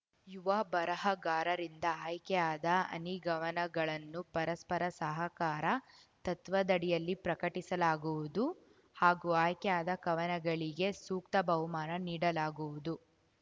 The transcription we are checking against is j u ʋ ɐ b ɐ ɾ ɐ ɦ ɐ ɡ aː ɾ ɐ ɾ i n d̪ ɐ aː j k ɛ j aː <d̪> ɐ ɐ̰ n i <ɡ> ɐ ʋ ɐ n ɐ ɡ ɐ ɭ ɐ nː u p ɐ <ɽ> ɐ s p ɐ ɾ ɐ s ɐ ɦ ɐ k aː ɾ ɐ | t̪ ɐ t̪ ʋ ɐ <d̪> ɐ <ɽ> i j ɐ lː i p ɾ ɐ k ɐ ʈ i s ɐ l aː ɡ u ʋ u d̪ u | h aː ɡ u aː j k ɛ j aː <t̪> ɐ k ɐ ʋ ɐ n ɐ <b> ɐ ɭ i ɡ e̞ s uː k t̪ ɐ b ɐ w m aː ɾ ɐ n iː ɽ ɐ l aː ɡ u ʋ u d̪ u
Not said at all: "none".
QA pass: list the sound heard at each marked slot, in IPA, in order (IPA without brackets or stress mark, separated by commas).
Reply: d̪, ɡ, ɾ, d̪, ɽ, d̪, ɡ